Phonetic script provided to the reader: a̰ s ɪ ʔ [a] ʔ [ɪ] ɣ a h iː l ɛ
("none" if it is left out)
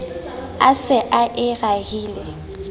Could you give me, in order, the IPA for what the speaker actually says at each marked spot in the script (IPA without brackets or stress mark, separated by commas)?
a, ɪ